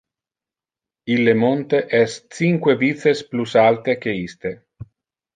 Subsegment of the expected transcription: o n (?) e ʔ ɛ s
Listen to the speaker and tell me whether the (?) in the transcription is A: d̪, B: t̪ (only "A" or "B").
B